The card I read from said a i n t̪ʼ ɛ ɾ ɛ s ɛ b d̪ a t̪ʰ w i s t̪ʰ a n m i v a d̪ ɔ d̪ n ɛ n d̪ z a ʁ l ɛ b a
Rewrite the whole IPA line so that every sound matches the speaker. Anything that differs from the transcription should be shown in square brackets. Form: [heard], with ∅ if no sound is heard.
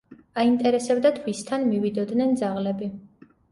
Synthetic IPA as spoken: a i n t̪ʼ ɛ ɾ ɛ s ɛ b d̪ a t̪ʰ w i s t̪ʰ a n m i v [i] d̪ ɔ d̪ n ɛ n d̪ z a ʁ l ɛ b [i]

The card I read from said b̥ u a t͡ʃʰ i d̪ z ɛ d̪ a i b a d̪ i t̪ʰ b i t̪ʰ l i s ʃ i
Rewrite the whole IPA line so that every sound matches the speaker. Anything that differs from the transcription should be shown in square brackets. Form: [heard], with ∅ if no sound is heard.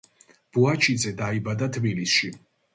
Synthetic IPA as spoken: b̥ u a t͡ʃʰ i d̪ z ɛ d̪ a i b a d̪ [a] t̪ʰ b i [∅] l i s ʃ i

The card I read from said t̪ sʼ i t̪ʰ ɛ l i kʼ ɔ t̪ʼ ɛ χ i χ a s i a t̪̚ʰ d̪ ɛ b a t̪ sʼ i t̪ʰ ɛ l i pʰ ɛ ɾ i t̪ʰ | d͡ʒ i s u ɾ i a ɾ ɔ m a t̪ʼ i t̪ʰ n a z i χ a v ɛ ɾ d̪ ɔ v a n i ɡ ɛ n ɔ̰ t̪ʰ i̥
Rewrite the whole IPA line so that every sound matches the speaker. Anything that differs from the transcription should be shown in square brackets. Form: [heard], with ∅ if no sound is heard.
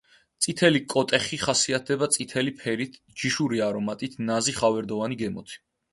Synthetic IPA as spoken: t̪ sʼ i t̪ʰ ɛ l i kʼ ɔ t̪ʼ ɛ χ i χ a s i a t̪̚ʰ d̪ ɛ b a t̪ sʼ i t̪ʰ ɛ l i pʰ ɛ ɾ i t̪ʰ | d͡ʒ i [ʃ] u ɾ i a ɾ ɔ m a t̪ʼ i t̪ʰ n a z i χ a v ɛ ɾ d̪ ɔ v a n i ɡ ɛ [m] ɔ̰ t̪ʰ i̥

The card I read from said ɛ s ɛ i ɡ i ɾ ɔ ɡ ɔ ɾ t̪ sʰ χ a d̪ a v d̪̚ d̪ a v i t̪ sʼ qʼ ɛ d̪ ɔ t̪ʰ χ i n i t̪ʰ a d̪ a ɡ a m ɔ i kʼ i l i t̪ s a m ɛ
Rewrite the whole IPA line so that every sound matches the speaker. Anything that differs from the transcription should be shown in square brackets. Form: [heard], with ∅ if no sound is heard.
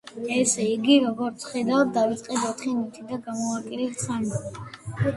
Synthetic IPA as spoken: ɛ s ɛ i ɡ i ɾ ɔ ɡ ɔ ɾ t̪ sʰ χ [ɛ] d̪ a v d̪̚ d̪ a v i t̪ sʼ qʼ ɛ d̪ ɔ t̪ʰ χ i n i t̪ʰ [i] d̪ a ɡ a m ɔ [a] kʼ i l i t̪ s a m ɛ

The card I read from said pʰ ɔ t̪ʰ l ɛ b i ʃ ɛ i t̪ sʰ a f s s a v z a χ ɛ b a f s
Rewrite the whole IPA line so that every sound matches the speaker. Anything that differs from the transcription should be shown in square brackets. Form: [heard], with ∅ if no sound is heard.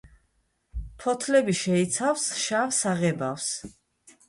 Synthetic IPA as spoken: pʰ ɔ t̪ʰ l ɛ b i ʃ ɛ i t̪ sʰ a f s [ʃ] a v [s] a [ʁ] ɛ b a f s

